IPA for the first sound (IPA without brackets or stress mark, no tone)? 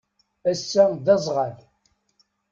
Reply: æ